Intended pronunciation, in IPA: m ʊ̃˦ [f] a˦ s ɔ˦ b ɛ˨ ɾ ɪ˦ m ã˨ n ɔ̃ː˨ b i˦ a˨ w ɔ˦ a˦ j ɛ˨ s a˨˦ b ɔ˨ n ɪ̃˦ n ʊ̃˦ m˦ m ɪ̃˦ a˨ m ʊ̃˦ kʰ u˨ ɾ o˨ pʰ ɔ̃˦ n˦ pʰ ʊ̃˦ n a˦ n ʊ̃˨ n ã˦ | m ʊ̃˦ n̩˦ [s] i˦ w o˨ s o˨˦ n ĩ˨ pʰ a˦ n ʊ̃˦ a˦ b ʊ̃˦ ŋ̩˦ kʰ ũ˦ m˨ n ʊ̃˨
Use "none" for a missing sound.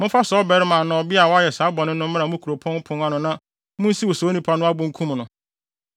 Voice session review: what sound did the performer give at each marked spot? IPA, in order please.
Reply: f, s

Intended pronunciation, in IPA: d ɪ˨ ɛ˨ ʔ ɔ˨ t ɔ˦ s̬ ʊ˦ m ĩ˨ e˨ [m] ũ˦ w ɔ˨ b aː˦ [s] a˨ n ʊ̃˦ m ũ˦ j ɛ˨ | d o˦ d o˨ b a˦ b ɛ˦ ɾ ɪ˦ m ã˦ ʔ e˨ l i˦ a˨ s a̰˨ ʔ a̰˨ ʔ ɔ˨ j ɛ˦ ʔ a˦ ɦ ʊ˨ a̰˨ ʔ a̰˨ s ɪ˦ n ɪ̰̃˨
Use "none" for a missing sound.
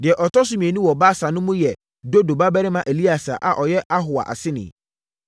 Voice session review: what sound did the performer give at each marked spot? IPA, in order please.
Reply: n, s

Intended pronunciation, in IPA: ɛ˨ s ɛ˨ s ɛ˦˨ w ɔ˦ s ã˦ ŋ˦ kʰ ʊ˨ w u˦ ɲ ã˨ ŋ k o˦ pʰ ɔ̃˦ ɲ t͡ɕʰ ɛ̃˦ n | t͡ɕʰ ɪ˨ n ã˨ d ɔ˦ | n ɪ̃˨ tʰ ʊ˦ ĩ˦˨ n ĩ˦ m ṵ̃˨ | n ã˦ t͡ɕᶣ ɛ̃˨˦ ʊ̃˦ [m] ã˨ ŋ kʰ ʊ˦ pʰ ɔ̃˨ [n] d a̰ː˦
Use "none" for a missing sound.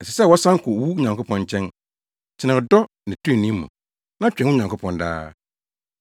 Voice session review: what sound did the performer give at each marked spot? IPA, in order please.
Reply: ɲ, n

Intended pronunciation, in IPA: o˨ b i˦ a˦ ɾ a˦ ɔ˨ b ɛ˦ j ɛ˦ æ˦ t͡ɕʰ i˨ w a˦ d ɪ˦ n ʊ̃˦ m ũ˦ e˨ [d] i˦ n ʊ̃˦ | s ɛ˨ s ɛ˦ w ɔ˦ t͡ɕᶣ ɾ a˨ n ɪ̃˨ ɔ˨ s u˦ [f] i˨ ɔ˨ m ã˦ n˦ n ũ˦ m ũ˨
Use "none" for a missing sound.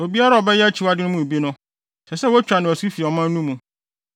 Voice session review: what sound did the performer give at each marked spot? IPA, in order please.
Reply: b, f

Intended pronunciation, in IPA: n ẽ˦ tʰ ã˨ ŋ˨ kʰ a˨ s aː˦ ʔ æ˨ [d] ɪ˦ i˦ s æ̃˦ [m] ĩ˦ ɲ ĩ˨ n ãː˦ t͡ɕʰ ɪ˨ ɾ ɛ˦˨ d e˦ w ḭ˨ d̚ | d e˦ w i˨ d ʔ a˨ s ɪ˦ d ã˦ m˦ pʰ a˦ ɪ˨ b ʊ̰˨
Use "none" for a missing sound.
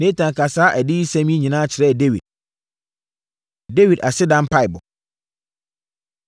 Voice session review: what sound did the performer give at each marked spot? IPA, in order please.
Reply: d, m

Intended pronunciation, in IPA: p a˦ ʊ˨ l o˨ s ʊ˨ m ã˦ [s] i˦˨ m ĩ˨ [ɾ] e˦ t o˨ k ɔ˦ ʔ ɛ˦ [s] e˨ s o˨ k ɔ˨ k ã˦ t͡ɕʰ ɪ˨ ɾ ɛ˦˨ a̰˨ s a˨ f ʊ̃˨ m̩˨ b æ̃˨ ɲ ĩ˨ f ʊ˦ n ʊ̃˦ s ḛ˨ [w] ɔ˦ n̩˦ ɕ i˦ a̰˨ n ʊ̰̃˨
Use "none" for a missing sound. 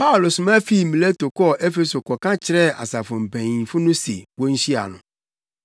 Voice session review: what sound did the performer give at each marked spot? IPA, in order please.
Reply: f, l, f, w

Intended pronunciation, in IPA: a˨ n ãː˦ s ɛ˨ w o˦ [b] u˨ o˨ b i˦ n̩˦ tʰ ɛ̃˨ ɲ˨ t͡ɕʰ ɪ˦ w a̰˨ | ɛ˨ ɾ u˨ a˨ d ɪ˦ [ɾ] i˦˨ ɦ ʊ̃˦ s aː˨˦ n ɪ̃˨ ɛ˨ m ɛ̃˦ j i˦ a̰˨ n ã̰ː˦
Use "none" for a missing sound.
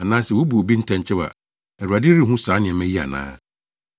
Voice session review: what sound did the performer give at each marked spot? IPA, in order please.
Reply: b, ɾ

